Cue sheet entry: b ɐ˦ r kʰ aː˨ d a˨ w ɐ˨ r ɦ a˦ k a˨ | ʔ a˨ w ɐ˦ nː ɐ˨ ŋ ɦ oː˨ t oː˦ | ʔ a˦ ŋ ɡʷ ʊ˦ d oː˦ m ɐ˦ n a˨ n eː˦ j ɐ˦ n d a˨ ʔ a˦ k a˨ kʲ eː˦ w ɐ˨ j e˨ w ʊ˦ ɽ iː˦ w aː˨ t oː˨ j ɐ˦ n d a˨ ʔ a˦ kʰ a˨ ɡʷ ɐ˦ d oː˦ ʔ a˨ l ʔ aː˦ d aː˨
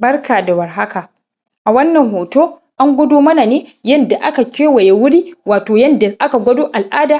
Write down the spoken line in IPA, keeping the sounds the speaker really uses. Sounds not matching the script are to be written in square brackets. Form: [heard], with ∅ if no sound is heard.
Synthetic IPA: b ɐ˦ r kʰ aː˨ d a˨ w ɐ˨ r ɦ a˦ k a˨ | ʔ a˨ w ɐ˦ nː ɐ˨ ŋ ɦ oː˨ t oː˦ | ʔ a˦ ŋ ɡʷ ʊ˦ d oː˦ m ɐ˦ n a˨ n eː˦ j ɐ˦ n d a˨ ʔ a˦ k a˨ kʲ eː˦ w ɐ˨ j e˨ w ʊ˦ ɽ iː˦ w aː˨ t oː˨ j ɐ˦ n d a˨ ʔ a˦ [k] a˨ ɡʷ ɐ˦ d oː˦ ʔ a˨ l ʔ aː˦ d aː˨

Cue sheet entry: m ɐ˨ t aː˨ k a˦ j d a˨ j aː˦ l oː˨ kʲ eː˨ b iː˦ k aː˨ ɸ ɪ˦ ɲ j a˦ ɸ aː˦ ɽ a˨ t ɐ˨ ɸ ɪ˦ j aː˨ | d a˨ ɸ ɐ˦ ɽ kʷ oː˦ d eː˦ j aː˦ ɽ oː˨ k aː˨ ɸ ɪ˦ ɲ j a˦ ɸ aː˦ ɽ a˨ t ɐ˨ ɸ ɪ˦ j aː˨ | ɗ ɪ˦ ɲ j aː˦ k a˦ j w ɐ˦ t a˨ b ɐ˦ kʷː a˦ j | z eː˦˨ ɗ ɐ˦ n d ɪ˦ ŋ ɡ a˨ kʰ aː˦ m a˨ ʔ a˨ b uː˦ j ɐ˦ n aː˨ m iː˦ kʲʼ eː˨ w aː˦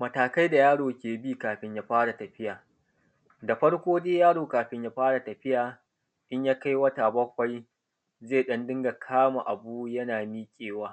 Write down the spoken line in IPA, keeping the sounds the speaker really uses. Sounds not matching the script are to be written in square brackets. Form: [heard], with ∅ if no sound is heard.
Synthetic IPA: m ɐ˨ t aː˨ k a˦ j d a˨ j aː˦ [ɽ] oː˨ kʲ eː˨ b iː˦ k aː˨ ɸ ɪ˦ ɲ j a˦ ɸ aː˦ ɽ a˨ t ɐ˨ ɸ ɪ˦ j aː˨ | d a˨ ɸ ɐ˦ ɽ kʷ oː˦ d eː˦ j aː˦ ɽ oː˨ k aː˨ ɸ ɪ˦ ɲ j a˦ ɸ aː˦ ɽ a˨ t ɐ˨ ɸ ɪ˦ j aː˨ | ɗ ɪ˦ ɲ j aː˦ k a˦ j w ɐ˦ t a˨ b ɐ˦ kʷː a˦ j | z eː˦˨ ɗ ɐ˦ n d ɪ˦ ŋ ɡ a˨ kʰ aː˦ m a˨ ʔ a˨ b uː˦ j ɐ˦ n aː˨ m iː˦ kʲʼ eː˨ w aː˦

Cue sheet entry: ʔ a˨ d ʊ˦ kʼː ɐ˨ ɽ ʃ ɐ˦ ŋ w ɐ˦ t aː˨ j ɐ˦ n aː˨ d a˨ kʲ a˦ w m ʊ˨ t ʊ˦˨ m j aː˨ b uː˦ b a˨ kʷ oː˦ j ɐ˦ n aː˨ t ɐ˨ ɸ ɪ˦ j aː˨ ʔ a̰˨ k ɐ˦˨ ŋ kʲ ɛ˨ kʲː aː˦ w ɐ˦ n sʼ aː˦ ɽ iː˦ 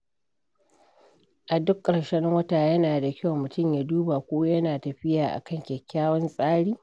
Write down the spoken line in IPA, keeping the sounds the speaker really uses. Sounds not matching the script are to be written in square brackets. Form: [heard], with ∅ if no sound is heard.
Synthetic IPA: ʔ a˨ d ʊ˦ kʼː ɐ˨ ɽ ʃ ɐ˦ ŋ w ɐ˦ t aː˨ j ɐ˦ n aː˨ d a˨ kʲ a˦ w m ʊ˨ t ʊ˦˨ m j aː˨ [d] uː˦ b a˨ kʷ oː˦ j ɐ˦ n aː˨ t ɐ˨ ɸ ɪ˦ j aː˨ ʔ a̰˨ k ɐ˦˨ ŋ kʲ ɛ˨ kʲː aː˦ w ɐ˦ n sʼ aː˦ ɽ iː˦

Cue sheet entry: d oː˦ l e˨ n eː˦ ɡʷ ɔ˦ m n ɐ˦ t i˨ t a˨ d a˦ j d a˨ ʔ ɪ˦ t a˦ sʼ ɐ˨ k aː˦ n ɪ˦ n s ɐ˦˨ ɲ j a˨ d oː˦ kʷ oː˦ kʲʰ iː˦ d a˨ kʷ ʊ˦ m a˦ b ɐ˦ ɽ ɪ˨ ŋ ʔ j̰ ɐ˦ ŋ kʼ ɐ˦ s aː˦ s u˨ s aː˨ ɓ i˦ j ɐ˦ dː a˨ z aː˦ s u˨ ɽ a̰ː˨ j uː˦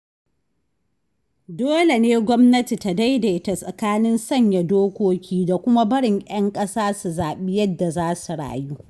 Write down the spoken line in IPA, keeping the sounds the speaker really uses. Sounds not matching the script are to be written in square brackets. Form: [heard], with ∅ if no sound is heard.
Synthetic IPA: d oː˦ l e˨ n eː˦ ɡʷ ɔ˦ m n ɐ˦ t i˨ t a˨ d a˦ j d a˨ ʔ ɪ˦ t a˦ sʼ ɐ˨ k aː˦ n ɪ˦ n s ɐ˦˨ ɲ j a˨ d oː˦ kʷ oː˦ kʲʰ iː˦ d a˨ kʷ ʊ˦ m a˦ b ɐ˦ ɽ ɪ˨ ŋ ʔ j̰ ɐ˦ ŋ kʼ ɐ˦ s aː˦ s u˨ [z] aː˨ ɓ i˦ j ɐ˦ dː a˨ z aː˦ s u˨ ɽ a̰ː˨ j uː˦

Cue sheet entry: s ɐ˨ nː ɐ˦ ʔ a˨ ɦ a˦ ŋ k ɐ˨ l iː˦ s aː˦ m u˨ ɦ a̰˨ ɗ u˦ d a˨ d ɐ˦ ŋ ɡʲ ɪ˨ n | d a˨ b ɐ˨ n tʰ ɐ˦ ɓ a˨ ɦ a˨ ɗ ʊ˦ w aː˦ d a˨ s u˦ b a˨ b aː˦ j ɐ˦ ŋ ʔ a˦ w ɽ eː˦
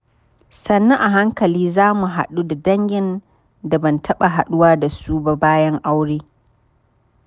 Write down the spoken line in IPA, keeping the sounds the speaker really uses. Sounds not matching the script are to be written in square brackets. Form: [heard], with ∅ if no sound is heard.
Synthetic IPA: s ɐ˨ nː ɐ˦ ʔ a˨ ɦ a˦ ŋ k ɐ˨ l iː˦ [z] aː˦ m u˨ ɦ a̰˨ ɗ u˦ d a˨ d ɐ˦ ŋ ɡʲ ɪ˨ n | d a˨ b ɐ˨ n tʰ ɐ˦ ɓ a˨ ɦ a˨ ɗ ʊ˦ w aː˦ d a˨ s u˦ b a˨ b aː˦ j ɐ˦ ŋ ʔ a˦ w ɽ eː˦

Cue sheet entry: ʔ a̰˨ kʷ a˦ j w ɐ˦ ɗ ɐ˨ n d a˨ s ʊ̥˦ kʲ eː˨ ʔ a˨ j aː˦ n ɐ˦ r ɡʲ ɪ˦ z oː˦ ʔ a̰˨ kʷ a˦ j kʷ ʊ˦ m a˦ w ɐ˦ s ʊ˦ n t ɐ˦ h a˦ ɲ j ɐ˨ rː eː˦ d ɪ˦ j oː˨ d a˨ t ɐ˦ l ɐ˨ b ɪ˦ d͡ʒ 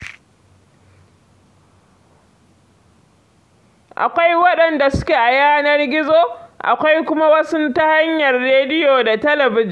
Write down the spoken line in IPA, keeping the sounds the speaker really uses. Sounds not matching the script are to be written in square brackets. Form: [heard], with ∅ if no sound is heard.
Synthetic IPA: ʔ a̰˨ kʷ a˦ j w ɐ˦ ɗ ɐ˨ n d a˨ s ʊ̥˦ kʲ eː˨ ʔ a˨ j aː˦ n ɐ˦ r ɡʲ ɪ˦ z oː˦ ʔ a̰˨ kʷ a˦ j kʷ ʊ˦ m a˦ w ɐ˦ s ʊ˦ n t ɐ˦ h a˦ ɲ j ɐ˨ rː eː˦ d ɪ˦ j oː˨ d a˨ t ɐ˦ l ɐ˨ b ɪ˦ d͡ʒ

